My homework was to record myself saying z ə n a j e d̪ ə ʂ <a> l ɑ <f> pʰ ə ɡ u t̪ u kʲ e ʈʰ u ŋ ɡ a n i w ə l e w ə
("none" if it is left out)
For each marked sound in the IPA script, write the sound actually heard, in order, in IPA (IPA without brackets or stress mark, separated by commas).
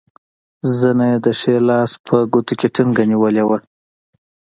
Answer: e, s